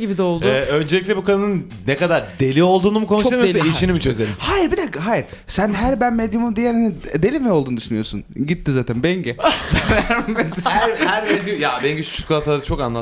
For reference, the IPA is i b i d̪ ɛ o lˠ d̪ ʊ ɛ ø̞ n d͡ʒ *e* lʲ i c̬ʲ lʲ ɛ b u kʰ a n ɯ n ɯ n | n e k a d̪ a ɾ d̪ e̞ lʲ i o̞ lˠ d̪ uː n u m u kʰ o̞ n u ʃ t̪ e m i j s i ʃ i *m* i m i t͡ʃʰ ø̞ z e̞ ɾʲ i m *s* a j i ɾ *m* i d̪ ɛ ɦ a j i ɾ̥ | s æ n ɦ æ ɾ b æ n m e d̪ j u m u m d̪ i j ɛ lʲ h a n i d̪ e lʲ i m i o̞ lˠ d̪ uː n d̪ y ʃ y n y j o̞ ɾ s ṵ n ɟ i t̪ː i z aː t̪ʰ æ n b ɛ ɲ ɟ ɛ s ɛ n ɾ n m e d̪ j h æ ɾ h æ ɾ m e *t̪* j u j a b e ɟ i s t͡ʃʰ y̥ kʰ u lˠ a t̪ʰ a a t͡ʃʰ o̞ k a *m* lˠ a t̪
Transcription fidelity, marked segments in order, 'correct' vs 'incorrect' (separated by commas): correct, incorrect, incorrect, incorrect, incorrect, incorrect